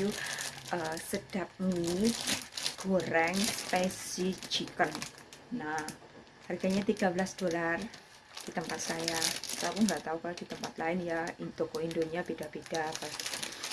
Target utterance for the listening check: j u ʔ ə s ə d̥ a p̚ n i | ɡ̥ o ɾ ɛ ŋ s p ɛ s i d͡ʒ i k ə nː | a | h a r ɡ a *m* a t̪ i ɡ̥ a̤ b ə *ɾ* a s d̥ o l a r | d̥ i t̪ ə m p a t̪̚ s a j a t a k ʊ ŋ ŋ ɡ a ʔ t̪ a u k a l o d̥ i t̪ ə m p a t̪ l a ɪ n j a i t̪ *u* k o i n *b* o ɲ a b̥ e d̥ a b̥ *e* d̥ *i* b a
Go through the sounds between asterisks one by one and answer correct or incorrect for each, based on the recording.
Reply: incorrect: ɲ, incorrect: l, incorrect: o, incorrect: d, correct, incorrect: a

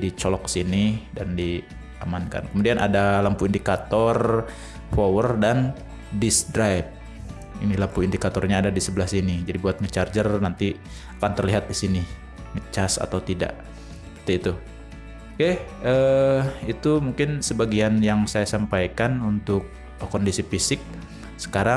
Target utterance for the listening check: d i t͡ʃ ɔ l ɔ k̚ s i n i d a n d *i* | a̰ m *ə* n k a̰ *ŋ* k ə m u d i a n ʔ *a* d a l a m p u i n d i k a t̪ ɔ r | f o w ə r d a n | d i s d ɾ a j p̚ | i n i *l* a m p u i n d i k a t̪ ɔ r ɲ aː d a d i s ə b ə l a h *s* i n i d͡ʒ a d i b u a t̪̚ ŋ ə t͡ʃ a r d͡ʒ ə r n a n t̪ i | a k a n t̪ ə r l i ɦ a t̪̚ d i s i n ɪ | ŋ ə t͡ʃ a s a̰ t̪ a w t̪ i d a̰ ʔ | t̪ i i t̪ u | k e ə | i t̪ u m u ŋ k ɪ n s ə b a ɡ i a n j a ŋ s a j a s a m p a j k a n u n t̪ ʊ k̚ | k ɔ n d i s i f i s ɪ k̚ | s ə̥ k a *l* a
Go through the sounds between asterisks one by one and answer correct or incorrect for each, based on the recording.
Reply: correct, incorrect: a, incorrect: n, correct, correct, correct, incorrect: ɾ

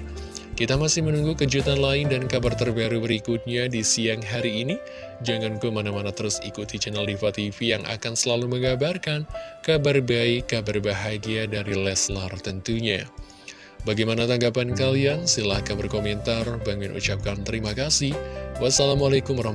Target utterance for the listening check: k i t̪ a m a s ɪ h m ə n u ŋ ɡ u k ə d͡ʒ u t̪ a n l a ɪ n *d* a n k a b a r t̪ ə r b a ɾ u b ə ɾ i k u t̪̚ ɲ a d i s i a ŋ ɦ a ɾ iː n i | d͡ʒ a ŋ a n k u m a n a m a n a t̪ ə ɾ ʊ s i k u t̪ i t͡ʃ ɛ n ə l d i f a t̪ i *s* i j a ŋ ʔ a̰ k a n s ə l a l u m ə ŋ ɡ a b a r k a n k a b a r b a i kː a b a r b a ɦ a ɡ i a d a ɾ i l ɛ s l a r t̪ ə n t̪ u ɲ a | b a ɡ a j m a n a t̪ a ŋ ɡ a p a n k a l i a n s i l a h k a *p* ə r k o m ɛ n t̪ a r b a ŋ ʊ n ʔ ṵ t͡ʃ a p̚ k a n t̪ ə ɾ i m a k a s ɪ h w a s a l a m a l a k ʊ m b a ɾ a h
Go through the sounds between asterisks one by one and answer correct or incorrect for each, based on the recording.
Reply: correct, incorrect: f, incorrect: b

